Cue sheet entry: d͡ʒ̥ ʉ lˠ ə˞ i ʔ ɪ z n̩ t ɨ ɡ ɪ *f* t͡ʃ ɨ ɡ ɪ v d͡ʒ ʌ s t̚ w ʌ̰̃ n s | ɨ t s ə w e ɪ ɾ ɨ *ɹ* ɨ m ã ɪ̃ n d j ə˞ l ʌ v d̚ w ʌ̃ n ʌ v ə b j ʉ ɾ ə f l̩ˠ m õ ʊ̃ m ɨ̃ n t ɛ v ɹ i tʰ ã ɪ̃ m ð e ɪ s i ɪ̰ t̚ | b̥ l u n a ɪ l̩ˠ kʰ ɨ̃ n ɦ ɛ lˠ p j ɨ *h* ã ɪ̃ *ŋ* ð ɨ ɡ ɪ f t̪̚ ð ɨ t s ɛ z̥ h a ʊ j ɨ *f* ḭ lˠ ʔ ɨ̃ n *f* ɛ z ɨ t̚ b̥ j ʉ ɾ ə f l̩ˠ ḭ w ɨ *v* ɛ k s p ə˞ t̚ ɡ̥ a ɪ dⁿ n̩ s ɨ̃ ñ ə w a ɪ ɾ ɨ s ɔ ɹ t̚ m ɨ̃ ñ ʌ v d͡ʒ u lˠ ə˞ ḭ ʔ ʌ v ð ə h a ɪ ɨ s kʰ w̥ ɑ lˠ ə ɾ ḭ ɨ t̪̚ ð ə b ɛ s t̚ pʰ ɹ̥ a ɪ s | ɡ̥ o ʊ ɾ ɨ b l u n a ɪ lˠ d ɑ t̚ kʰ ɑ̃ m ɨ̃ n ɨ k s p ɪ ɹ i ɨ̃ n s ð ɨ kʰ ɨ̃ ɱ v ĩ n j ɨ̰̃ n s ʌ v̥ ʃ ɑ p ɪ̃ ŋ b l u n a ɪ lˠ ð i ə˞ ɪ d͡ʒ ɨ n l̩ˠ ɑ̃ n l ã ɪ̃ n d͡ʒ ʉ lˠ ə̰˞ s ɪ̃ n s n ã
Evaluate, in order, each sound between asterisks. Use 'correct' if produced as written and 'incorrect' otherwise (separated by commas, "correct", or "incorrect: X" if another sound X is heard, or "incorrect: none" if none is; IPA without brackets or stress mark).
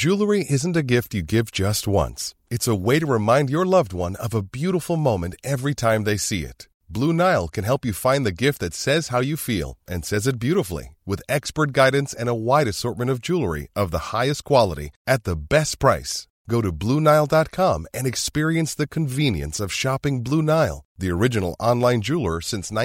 correct, correct, incorrect: f, incorrect: n, correct, incorrect: s, incorrect: ð